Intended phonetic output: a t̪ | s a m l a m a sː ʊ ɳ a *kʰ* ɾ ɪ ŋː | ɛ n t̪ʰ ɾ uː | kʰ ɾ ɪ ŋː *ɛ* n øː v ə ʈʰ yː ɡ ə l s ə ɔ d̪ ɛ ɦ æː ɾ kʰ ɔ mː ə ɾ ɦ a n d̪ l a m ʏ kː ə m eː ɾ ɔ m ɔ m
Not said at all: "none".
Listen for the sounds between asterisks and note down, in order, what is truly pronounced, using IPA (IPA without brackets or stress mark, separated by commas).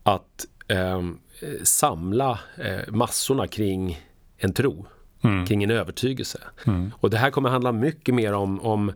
kʰ, ɛ